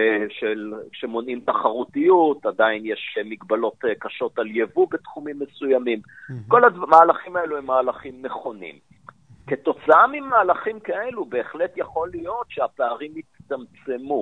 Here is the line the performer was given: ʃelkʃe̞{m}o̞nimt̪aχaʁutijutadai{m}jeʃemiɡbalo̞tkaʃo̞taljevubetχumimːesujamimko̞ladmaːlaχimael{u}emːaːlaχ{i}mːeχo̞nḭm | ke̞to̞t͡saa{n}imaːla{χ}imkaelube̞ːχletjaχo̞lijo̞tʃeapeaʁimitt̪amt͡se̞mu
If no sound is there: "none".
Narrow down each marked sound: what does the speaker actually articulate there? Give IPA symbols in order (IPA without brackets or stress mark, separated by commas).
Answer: m, n, u, i, m, χ